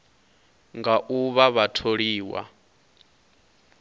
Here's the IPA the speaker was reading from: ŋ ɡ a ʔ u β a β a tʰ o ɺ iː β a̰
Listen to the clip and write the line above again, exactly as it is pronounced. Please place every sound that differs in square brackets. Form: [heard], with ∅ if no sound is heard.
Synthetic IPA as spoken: ŋ ɡ a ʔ u β a β a tʰ o ɺ iː [w] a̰